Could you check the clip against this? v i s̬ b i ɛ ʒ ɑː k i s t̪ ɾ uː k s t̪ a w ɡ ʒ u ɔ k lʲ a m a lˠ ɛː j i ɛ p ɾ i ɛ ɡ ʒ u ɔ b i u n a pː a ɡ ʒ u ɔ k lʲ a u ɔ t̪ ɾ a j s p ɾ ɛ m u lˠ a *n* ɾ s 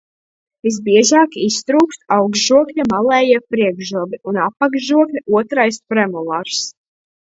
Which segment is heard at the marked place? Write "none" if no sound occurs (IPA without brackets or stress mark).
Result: none